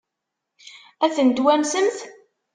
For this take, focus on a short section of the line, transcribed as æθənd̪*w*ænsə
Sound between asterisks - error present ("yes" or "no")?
no